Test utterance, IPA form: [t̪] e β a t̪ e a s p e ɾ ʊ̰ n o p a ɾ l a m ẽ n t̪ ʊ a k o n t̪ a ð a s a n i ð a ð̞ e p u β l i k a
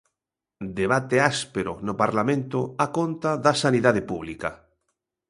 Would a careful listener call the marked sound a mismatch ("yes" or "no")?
yes